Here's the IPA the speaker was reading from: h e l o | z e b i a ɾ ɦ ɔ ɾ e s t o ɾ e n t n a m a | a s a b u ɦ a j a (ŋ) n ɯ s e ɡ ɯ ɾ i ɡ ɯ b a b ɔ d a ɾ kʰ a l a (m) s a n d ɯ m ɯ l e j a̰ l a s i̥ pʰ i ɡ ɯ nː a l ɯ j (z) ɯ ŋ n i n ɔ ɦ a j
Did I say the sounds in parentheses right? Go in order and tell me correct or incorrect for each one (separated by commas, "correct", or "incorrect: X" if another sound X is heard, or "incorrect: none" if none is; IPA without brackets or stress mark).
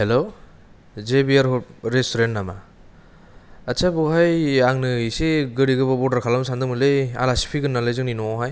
correct, correct, correct